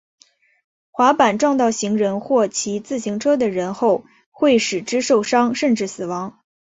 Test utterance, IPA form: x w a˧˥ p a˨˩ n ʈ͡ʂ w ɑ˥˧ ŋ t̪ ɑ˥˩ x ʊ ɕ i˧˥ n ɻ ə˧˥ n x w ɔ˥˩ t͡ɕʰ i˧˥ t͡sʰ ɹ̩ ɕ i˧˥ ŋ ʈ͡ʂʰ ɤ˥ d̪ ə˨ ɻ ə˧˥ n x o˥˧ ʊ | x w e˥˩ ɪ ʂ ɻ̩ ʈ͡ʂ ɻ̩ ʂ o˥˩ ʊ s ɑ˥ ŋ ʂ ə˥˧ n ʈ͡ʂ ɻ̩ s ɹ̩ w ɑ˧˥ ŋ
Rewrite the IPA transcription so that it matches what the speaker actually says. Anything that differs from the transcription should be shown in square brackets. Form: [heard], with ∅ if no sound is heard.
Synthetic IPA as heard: x w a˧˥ p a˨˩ n ʈ͡ʂ w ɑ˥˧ ŋ t̪ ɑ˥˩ [∅] ʊ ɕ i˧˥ [ŋ] ɻ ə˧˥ n x w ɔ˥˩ t͡ɕʰ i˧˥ [t͡s] ɹ̩ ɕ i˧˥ ŋ ʈ͡ʂʰ ɤ˥ d̪ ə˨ ɻ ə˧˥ n x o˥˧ ʊ | x w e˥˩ ɪ ʂ ɻ̩ ʈ͡ʂ ɻ̩ ʂ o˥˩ ʊ [ʂ] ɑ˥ ŋ ʂ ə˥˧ n ʈ͡ʂ ɻ̩ s ɹ̩ w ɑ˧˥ ŋ

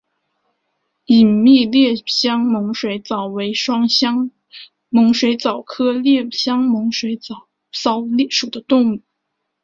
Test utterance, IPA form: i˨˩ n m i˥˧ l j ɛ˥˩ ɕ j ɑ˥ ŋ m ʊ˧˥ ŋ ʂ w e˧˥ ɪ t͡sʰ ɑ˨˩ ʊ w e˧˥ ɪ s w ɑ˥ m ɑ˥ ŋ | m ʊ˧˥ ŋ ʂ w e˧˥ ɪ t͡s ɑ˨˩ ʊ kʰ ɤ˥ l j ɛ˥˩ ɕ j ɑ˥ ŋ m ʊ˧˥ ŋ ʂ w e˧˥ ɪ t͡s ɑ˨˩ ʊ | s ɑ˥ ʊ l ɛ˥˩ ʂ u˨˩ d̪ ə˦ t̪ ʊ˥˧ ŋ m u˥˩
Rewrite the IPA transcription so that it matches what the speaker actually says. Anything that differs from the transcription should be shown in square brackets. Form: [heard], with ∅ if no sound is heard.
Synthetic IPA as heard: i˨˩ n m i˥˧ l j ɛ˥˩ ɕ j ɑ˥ ŋ m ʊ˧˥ ŋ ʂ w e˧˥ ɪ [t͡s] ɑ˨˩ ʊ w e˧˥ ɪ [ʂ] w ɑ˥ [ŋ] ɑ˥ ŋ | m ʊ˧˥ ŋ ʂ w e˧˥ ɪ t͡s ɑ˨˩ ʊ kʰ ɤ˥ l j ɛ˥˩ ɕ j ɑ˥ ŋ m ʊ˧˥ ŋ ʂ w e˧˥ ɪ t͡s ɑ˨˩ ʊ | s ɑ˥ ʊ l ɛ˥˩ ʂ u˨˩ d̪ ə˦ t̪ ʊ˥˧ ŋ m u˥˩

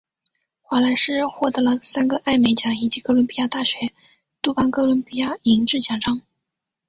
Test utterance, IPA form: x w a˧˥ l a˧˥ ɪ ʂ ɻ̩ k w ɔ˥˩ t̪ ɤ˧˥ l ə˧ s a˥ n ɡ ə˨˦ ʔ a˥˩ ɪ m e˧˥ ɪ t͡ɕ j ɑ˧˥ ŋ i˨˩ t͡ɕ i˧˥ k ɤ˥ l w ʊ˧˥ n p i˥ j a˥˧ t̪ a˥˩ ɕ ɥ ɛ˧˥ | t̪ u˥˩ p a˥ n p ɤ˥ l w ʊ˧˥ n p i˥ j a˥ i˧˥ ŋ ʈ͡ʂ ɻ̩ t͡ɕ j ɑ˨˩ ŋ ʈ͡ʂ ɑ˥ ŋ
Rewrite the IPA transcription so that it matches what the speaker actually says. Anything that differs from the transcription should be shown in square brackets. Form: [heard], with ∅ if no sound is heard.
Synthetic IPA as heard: x w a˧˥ l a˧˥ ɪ ʂ ɻ̩ [x] w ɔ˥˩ t̪ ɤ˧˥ l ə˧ s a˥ n ɡ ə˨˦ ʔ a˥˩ ɪ m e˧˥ ɪ t͡ɕ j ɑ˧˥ ŋ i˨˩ t͡ɕ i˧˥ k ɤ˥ l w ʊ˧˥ n p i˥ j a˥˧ t̪ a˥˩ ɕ ɥ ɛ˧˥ | t̪ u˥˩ p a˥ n [k] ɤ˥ l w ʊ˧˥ n p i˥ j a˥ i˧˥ ŋ ʈ͡ʂ ɻ̩ t͡ɕ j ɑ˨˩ ŋ ʈ͡ʂ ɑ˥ ŋ

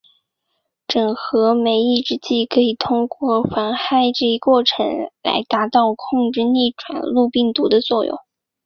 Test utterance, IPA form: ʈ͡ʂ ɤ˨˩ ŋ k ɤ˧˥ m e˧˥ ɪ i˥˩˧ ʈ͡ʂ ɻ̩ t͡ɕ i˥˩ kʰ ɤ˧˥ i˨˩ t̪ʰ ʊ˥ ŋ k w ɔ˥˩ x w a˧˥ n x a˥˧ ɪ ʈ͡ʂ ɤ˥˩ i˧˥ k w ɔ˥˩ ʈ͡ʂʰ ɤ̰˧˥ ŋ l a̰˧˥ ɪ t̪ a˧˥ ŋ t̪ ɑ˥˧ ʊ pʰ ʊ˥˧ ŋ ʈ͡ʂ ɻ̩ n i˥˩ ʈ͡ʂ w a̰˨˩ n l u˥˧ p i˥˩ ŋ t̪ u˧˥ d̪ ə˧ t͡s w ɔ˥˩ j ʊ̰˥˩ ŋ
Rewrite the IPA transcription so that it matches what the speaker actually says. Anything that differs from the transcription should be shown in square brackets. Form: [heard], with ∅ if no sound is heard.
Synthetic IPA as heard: ʈ͡ʂ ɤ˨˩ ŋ [x] ɤ˧˥ m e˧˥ ɪ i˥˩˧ ʈ͡ʂ ɻ̩ t͡ɕ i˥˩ kʰ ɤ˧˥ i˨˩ t̪ʰ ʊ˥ ŋ k w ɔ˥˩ x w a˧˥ n x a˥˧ ɪ ʈ͡ʂ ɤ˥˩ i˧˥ k w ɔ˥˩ ʈ͡ʂʰ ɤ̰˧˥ ŋ l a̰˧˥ ɪ t̪ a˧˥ [∅] t̪ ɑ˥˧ ʊ [kʰ] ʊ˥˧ ŋ ʈ͡ʂ ɻ̩ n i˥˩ ʈ͡ʂ w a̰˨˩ n l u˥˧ p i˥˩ ŋ t̪ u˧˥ d̪ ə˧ t͡s w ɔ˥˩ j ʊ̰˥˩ ŋ

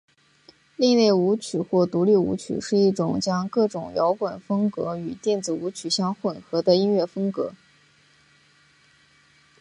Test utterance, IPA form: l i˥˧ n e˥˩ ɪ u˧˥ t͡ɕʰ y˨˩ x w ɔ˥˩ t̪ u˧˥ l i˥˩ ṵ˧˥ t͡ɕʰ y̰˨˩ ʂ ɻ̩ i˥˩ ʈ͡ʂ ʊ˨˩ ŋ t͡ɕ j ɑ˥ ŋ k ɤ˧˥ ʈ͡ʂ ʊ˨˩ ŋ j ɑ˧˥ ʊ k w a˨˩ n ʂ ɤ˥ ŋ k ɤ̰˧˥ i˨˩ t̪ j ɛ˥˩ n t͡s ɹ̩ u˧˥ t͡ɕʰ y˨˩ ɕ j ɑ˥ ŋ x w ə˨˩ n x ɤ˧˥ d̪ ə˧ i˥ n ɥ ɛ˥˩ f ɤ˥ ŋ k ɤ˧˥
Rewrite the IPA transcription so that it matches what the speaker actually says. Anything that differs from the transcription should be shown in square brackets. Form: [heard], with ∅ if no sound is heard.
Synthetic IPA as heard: l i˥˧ n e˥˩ ɪ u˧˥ t͡ɕʰ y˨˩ x w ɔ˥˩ t̪ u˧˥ l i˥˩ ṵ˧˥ t͡ɕʰ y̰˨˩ ʂ ɻ̩ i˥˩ ʈ͡ʂ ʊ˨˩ ŋ t͡ɕ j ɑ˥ ŋ k [ɤ˥˩] ʈ͡ʂ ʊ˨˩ ŋ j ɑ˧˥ ʊ k w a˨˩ n [f] ɤ˥ ŋ k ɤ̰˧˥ [y˨˩] t̪ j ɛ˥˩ n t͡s ɹ̩ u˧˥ t͡ɕʰ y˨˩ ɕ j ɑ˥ ŋ x w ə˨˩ n x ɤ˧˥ d̪ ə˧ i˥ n ɥ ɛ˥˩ f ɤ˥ ŋ k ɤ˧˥

